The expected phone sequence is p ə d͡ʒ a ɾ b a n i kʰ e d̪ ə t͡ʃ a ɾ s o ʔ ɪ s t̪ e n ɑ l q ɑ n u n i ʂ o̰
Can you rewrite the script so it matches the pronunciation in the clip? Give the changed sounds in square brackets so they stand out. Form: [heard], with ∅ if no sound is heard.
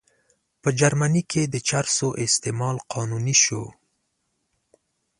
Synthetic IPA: p ə d͡ʒ a ɾ [m] a n i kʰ e d̪ ə t͡ʃ a ɾ s o ʔ ɪ s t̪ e [m] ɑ l q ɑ n u n i [ʃ] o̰

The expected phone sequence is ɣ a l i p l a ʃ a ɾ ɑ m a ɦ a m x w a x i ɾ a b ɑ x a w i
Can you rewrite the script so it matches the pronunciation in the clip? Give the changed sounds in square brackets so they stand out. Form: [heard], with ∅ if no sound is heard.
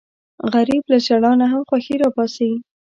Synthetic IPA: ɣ a [ɾ] i [b] l a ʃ a [ɽ] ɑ [n] a ɦ a m x w a x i ɾ [ɑ] b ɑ [s] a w i

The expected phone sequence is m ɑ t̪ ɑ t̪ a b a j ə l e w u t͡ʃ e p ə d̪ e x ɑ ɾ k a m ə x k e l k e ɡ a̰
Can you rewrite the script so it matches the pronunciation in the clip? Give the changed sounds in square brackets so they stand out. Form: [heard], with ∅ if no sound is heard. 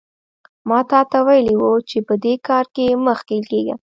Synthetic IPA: m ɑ t̪ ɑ t̪ a [w] a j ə l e w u t͡ʃ e p ə d̪ e [k] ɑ ɾ k [e] m ə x k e l k e ɡ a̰

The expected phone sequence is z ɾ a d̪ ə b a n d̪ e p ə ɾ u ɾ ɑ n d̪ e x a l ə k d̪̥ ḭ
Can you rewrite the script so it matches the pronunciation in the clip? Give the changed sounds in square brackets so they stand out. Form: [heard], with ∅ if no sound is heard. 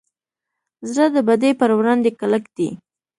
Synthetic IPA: z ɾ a d̪ ə b a [∅] d̪ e p ə ɾ [w] ɾ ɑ n d̪ e [k] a l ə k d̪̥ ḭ

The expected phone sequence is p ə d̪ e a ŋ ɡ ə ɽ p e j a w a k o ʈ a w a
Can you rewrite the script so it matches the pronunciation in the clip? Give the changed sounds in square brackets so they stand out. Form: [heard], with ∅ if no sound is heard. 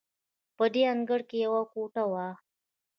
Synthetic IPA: p ə d̪ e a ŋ ɡ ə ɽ [k] e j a w a k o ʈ a w a

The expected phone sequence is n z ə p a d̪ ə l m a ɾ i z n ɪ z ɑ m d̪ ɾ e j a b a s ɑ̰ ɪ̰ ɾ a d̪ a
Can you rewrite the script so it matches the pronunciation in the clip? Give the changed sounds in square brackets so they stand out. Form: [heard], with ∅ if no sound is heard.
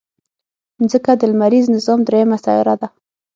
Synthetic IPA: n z ə [k] a d̪ ə l m a ɾ i z n ɪ z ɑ m d̪ ɾ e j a [m] a s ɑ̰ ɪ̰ ɾ a d̪ a

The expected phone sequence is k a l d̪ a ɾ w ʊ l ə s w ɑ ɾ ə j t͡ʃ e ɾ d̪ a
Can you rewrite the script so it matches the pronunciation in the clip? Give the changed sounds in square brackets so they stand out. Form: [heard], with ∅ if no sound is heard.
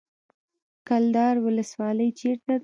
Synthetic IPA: k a l d̪ [ɑ] ɾ w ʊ l ə s w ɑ [l] ə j t͡ʃ e ɾ [t̪] a

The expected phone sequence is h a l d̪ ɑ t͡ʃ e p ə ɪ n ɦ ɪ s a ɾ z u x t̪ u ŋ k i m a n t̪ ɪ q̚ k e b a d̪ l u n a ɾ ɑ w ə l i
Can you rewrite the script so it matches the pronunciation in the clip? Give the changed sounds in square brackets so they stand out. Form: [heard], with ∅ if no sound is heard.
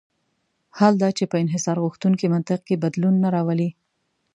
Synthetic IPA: h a l d̪ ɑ t͡ʃ e p ə ɪ n ɦ ɪ s [ɑ] ɾ [ɣ] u x t̪ u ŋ k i m a n t̪ ɪ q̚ k e b a d̪ l u [nː] a ɾ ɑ w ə l i

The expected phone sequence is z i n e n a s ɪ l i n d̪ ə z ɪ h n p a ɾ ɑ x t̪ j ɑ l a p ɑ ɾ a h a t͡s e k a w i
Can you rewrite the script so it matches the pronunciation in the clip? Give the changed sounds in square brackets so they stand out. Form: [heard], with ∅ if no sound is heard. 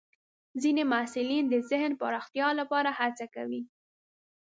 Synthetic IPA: z i n e [m] a s ɪ l i n d̪ ə z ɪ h n p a ɾ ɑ x t̪ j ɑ l a p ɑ ɾ a h a t͡s [a] k a w i

